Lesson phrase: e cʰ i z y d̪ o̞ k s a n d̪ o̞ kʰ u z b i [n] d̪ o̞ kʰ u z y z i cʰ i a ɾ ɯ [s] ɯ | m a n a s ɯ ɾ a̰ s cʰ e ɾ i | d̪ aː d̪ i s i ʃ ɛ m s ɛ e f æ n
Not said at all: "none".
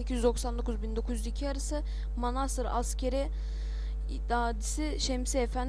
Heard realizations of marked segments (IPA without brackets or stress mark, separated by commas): n, s